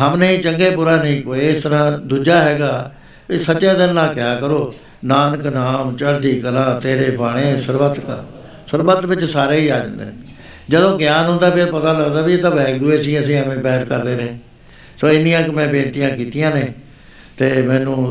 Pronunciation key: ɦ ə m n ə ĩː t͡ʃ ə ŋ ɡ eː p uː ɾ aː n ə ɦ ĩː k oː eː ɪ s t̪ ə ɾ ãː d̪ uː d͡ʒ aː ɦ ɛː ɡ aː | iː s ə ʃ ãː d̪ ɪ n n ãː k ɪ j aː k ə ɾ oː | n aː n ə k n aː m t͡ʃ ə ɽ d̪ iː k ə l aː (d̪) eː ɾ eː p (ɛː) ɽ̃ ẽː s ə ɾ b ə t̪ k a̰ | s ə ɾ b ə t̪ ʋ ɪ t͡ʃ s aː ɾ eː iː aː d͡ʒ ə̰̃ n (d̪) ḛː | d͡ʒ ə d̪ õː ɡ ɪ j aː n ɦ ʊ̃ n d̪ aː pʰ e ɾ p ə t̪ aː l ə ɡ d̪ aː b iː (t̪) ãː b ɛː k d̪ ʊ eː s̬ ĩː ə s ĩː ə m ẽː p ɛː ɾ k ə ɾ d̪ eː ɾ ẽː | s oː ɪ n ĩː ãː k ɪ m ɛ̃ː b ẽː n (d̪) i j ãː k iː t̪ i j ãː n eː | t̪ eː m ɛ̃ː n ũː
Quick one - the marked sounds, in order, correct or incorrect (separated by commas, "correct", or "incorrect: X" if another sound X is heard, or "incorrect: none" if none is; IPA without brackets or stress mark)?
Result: incorrect: t̪, incorrect: aː, correct, correct, incorrect: t̪